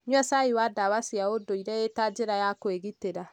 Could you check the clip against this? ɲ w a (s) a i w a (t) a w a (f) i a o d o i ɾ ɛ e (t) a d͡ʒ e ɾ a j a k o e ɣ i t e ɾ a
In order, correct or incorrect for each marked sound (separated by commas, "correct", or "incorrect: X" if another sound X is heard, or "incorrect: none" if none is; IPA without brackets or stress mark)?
correct, incorrect: d, incorrect: s, correct